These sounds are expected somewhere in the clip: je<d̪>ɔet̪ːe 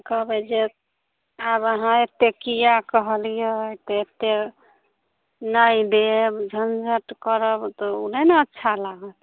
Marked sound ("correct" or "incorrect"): incorrect